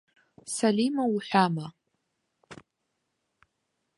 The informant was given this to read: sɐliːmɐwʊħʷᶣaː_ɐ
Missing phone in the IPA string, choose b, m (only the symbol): m